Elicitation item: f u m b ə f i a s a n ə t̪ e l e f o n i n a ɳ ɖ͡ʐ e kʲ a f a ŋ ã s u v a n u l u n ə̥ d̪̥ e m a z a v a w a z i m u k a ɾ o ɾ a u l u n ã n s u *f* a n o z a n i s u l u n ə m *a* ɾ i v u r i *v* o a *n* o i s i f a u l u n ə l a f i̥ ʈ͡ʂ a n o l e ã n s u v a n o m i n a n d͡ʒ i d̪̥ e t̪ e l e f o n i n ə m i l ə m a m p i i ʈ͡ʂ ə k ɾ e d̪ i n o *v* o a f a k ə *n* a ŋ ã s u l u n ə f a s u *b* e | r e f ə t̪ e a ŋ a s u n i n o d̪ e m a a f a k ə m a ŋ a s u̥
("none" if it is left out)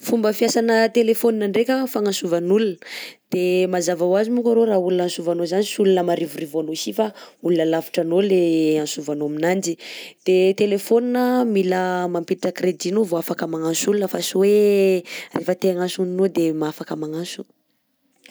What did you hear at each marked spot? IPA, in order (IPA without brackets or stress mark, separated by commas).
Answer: v, a, v, n, v, m, w